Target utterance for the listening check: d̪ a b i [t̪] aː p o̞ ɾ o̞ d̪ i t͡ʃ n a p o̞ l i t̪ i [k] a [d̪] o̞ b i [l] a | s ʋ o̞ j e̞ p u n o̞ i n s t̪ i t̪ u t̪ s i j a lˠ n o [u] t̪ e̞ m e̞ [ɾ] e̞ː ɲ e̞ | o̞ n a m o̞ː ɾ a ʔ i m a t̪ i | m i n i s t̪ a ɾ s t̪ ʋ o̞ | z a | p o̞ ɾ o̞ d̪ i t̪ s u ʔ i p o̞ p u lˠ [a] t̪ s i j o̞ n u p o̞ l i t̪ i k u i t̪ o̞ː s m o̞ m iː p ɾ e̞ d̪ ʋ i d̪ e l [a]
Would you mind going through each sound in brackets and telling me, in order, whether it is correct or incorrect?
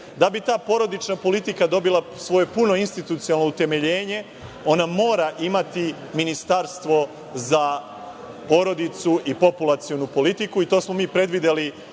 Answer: correct, correct, correct, correct, correct, incorrect: ʎ, correct, incorrect: i

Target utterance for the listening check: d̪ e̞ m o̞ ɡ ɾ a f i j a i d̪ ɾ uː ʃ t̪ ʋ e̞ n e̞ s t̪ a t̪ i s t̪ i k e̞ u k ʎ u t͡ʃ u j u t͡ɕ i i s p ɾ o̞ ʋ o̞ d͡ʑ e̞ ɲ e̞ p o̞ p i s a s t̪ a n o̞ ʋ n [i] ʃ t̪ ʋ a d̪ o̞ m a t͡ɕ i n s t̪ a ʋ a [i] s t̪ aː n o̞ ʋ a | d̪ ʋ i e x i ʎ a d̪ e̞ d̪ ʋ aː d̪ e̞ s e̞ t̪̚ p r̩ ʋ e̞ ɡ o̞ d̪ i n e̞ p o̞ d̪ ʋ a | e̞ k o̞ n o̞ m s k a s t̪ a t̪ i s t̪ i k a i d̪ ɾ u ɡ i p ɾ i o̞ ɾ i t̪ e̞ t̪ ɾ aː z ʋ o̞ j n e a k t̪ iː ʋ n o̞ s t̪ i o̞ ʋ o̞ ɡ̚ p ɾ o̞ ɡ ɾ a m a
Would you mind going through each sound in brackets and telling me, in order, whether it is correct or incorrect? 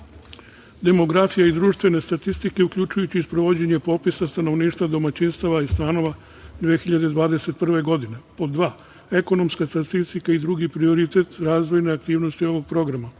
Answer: incorrect: iː, correct

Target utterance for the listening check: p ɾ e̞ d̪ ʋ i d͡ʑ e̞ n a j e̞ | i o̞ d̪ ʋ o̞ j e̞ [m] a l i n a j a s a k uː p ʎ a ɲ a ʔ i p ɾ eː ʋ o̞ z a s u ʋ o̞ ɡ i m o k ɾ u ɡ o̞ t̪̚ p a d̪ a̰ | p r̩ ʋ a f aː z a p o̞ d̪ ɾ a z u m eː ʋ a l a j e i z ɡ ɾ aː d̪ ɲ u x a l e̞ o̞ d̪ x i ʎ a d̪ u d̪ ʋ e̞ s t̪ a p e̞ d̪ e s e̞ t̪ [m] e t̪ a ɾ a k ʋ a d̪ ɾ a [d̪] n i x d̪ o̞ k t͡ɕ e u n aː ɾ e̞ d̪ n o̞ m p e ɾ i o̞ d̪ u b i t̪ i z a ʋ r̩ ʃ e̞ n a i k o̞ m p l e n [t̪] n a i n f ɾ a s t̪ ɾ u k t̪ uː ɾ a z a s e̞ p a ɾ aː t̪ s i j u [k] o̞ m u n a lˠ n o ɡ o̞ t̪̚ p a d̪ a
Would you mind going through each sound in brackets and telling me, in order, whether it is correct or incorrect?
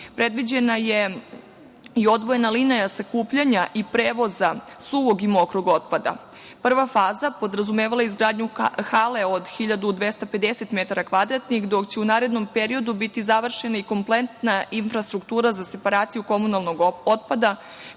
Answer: incorrect: n, correct, incorrect: t̪, correct, correct

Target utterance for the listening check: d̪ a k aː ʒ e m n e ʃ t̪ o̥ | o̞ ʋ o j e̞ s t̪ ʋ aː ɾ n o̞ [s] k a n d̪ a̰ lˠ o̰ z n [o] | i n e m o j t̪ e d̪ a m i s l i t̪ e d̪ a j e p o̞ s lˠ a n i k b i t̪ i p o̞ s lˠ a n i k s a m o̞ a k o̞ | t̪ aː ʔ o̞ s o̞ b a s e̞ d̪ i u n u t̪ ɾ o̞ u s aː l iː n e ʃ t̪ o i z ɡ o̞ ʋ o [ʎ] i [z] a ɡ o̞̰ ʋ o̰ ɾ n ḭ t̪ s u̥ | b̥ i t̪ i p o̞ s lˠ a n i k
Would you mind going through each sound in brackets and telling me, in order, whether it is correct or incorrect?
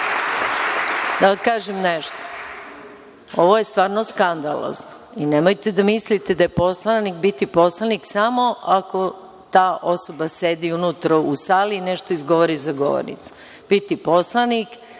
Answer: correct, correct, incorrect: ɾ, correct

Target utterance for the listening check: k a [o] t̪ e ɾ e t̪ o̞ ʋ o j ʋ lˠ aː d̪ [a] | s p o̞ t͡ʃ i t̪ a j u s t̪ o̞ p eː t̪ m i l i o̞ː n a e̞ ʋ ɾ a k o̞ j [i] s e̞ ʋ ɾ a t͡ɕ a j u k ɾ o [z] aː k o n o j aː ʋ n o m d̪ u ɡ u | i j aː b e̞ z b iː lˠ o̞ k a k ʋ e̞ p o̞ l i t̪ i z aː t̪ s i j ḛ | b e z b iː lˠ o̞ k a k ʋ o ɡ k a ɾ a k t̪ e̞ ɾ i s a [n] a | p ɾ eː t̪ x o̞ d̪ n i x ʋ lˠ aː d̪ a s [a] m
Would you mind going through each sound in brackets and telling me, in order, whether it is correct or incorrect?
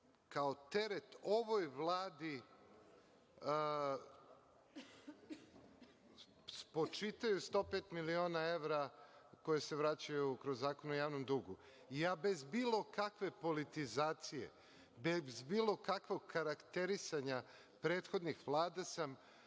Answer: correct, incorrect: i, incorrect: e, incorrect: zː, incorrect: ɲ, correct

